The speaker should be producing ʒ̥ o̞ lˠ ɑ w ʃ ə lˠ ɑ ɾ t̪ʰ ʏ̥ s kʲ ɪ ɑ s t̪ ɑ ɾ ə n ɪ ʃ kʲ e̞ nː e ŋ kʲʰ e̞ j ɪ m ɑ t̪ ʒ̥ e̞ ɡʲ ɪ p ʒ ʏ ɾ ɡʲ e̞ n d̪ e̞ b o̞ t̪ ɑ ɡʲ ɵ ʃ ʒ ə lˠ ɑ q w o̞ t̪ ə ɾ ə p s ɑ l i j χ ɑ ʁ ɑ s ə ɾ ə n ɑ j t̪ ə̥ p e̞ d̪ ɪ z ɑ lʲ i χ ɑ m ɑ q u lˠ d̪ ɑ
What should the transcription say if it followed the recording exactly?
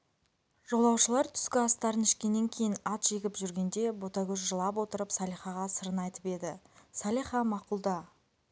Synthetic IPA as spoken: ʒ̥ o̞ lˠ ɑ w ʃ ə lˠ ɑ ɾ t̪ʰ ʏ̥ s kʲ ɪ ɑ s t̪ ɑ ɾ ə n ɪ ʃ kʲ e̞ nː e ŋ kʲʰ e̞ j ɪ n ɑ t̪ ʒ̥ e̞ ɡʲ ɪ p ʒ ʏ ɾ ɡʲ e̞ n d̪ e̞ b o̞ t̪ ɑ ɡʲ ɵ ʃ ʒ ə lˠ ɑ p w o̞ t̪ ə ɾ ə p s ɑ l i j χ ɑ ʁ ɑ s ə ɾ ə n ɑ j t̪ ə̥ p e̞ d̪ ɪ s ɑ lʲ i χ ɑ m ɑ q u lˠ d̪ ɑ